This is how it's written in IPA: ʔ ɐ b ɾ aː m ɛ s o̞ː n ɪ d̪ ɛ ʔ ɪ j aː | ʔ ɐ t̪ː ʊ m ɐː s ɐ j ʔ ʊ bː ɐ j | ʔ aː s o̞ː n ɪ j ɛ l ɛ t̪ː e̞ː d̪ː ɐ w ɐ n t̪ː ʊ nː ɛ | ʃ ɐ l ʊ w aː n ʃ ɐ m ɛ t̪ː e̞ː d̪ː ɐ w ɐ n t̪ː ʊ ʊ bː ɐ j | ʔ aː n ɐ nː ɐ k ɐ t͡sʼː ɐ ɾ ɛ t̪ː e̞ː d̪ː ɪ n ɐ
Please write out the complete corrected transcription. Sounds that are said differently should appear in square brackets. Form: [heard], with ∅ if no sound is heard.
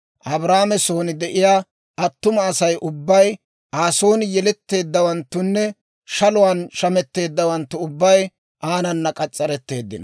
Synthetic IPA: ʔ ɐ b ɾ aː m ɛ s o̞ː n ɪ d̪ ɛ ʔ ɪ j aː | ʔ ɐ t̪ː ʊ m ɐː s ɐ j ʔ ʊ bː ɐ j | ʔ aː s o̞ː n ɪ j ɛ l ɛ t̪ː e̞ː d̪ː ɐ w ɐ n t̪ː ʊ nː ɛ | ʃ ɐ l ʊ w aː n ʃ ɐ m ɛ t̪ː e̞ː d̪ː ɐ w ɐ n t̪ː ʊ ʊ bː ɐ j | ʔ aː n ɐ nː ɐ [kʼ] ɐ t͡sʼː ɐ ɾ ɛ t̪ː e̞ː d̪ː ɪ n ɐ